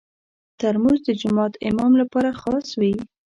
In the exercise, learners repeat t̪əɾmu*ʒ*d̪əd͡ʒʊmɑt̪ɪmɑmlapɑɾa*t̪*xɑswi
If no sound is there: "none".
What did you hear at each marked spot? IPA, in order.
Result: z, none

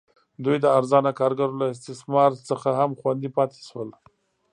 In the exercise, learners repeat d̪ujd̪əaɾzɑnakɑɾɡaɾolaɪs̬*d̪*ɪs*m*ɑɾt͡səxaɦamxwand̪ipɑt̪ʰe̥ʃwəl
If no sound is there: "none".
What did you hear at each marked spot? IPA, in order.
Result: t̪, m

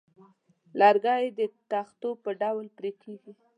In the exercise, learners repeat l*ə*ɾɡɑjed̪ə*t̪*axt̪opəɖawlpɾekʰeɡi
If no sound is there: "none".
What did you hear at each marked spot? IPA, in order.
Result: ɑ, t̪

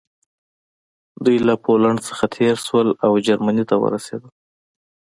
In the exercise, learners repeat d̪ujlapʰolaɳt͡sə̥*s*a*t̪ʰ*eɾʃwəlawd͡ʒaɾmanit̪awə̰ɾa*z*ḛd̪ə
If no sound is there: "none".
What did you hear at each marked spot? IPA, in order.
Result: x, t̪ʰ, s

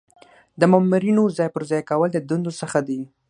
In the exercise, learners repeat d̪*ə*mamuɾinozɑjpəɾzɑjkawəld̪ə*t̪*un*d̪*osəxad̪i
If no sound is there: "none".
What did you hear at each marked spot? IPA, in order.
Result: ə, d̪, d̪

